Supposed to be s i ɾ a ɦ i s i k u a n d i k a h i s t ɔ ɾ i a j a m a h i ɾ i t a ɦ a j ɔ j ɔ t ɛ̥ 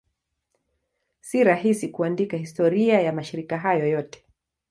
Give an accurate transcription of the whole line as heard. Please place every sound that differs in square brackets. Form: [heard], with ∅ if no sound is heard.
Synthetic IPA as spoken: s i ɾ a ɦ i s i k u a n d i k a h i s t ɔ ɾ i a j a m a [ʃ] i ɾ i [k] a ɦ a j ɔ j ɔ t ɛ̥